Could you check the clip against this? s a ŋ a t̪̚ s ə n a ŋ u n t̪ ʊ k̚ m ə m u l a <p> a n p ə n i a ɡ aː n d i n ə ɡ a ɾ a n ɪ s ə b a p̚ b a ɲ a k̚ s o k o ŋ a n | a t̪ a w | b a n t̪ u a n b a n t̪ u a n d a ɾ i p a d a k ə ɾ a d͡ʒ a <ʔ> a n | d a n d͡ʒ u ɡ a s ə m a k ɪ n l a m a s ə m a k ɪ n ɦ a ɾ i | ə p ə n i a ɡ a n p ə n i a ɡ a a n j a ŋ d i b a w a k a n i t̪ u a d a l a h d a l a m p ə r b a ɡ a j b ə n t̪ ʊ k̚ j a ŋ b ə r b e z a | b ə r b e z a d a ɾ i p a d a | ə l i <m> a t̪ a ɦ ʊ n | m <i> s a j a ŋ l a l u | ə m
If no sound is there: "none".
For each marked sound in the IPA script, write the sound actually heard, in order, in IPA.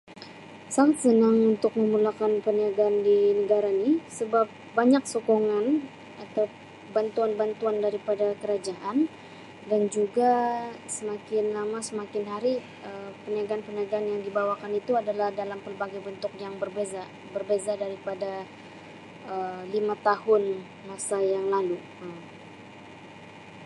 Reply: k, ʔ, m, a

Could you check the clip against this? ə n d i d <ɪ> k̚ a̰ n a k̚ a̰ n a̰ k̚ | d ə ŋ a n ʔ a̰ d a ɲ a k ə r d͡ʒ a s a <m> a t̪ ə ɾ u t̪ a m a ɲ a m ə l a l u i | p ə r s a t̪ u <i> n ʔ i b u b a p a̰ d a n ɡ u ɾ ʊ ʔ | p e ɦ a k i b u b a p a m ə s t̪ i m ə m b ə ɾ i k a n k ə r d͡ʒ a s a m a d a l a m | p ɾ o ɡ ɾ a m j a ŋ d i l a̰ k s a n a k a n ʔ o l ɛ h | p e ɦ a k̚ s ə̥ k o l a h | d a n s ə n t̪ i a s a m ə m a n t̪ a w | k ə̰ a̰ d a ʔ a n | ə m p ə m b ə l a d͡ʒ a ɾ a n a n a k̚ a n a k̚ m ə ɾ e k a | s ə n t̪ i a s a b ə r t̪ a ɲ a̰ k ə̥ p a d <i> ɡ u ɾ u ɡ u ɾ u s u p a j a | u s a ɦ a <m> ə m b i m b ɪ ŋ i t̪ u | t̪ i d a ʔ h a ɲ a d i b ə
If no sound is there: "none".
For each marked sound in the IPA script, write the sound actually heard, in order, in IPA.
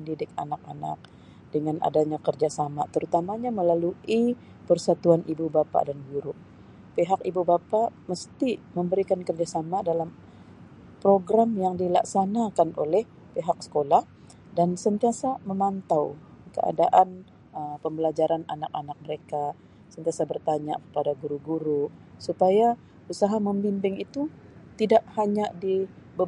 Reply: ɪ, m, a, a, m

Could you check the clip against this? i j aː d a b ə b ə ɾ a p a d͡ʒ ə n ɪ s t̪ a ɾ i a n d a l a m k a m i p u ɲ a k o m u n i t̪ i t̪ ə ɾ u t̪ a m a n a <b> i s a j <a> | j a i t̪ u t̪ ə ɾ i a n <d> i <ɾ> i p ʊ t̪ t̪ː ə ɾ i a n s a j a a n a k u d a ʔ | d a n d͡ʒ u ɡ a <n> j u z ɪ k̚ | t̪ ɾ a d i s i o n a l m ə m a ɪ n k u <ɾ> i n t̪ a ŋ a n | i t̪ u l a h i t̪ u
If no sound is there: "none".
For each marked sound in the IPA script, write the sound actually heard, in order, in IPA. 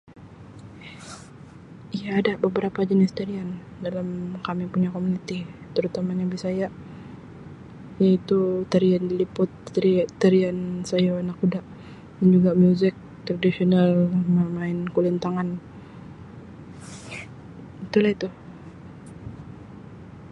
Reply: b, a, d, l, m, l

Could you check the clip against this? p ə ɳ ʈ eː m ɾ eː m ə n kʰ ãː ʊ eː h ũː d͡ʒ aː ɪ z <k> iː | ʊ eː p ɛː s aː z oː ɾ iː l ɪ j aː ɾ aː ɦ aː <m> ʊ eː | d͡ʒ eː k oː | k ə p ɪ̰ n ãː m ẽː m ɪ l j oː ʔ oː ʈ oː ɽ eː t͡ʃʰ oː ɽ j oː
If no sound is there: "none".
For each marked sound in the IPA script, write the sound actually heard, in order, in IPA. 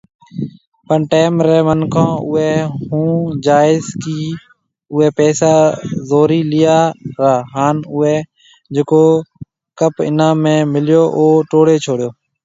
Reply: k, n

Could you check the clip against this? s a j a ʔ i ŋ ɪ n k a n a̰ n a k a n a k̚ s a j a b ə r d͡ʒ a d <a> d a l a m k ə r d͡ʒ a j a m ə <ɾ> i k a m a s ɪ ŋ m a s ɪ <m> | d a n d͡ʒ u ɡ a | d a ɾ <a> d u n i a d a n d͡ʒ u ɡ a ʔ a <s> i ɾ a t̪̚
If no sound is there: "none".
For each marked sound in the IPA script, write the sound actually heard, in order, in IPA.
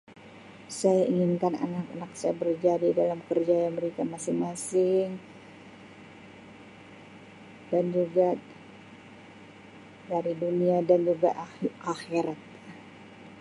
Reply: i, ɾ, ŋ, i, x

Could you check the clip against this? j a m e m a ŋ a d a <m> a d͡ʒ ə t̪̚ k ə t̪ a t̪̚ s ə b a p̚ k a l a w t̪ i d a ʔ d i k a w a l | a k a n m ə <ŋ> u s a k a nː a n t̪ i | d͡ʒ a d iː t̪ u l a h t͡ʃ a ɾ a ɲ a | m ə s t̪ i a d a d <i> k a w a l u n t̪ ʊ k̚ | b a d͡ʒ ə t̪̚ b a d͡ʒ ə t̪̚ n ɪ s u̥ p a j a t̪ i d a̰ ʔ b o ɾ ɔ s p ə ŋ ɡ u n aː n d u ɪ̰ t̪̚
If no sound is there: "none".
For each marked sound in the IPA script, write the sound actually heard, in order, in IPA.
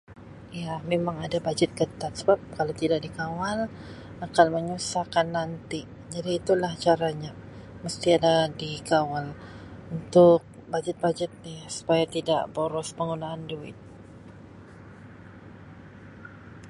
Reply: b, ɲ, i

